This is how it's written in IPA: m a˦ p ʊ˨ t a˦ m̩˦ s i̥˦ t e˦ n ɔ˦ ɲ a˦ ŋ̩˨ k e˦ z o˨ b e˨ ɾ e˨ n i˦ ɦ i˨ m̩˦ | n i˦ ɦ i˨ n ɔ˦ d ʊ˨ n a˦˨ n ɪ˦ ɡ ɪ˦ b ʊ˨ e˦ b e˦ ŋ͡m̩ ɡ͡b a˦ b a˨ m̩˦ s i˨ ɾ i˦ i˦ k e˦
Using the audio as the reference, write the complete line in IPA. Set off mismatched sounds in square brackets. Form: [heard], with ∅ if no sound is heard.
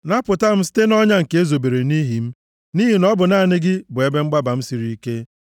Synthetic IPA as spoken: [n] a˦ p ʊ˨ t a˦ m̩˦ s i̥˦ t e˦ n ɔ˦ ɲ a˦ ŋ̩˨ k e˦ z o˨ b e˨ ɾ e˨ n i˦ ɦ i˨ m̩˦ | n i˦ ɦ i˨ n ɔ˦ [b] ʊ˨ n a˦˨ n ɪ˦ ɡ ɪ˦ b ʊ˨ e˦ b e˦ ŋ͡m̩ ɡ͡b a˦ b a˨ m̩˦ s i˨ ɾ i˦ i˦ k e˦